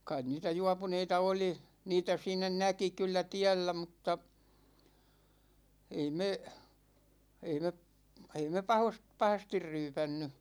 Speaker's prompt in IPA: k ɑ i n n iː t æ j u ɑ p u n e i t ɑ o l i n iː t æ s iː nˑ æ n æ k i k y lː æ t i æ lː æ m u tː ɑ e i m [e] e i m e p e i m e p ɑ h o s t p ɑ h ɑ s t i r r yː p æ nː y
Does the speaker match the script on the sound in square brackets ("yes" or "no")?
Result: yes